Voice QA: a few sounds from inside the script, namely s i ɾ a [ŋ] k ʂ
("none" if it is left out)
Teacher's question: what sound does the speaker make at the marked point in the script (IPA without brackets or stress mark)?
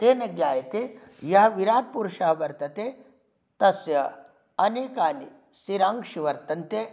ŋ